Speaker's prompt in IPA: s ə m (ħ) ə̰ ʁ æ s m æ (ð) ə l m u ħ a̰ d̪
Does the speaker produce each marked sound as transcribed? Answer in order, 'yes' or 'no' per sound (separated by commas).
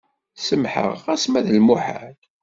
yes, yes